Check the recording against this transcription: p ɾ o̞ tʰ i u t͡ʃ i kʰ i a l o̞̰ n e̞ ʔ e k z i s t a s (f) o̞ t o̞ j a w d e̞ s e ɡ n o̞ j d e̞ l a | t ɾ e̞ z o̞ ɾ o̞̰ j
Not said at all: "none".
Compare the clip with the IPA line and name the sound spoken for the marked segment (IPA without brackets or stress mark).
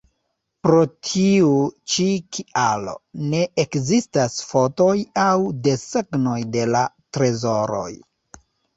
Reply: f